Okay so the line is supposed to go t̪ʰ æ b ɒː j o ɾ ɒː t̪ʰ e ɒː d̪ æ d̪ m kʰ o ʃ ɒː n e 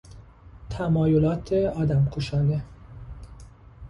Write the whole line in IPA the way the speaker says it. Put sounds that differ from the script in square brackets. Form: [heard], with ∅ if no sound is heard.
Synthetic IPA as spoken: t̪ʰ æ [m] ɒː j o [l] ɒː t̪ʰ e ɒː d̪ æ [∅] m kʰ o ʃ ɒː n e